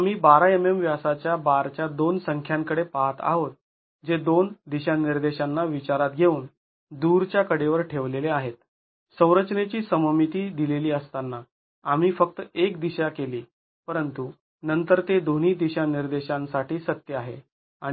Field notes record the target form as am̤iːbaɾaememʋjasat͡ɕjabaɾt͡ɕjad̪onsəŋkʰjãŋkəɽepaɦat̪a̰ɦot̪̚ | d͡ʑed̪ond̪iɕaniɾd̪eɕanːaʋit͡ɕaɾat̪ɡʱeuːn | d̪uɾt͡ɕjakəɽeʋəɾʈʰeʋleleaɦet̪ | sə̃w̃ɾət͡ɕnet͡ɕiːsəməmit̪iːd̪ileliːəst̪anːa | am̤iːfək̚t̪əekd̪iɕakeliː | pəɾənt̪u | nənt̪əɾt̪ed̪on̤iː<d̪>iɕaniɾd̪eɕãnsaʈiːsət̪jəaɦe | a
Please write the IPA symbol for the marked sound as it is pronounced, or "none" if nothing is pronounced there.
d̪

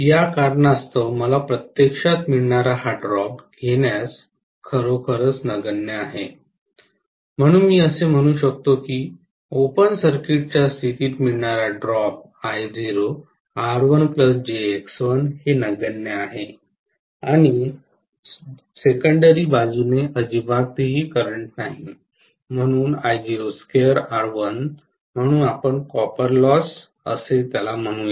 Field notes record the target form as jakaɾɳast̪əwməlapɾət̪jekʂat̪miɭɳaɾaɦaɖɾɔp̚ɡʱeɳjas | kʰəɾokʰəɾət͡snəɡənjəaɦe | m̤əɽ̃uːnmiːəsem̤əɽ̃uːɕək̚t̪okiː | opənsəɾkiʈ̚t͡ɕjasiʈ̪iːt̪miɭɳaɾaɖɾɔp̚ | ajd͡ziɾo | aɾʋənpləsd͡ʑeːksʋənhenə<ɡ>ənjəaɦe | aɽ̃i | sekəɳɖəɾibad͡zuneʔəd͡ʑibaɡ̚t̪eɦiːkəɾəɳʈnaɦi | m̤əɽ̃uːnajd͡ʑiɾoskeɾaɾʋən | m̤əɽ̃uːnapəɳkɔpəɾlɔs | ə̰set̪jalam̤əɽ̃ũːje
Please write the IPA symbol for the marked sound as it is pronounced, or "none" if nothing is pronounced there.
ɡ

